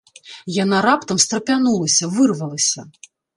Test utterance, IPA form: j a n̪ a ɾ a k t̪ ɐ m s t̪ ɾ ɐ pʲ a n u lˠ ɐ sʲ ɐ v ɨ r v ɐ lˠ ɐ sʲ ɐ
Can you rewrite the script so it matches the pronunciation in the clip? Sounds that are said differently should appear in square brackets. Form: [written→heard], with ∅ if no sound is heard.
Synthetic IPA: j a n̪ a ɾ a [k→p] t̪ ɐ m s t̪ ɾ ɐ pʲ a n u lˠ ɐ sʲ ɐ v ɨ r v ɐ lˠ ɐ sʲ ɐ